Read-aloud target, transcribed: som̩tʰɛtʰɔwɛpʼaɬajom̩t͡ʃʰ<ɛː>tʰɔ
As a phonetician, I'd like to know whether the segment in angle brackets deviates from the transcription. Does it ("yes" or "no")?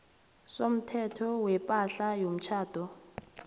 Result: yes